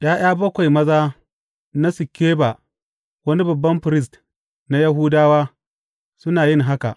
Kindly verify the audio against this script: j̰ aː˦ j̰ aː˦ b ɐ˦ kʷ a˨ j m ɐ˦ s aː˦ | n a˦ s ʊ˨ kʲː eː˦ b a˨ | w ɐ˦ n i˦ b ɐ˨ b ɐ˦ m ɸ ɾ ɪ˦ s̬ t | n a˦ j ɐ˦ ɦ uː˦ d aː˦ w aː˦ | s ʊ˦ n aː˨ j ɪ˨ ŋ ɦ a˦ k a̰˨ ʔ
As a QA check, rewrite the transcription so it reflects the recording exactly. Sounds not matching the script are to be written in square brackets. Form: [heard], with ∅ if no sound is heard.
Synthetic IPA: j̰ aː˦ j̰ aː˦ b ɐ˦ kʷ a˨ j m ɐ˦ [z] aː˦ | n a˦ s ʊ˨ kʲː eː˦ b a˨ | w ɐ˦ n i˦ b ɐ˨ [bː] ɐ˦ m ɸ ɾ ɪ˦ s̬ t | n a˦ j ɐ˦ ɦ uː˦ d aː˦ w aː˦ | s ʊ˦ n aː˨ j [ɪ˦] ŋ ɦ a˦ k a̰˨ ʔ